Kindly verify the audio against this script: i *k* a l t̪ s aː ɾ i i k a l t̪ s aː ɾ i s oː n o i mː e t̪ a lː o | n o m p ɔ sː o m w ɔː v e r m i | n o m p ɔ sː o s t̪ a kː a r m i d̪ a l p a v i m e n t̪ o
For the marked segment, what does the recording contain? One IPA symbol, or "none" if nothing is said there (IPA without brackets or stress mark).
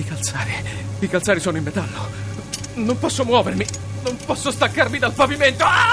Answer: k